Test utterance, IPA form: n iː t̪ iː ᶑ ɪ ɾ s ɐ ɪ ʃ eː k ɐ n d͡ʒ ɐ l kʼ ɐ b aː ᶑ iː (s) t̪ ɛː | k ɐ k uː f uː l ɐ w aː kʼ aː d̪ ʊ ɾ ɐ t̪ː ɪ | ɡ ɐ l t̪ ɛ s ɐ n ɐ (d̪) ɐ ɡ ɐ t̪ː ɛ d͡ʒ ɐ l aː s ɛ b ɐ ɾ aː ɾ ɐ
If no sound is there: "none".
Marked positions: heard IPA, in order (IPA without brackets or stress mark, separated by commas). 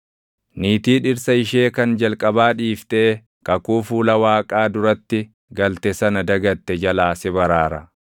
f, d̪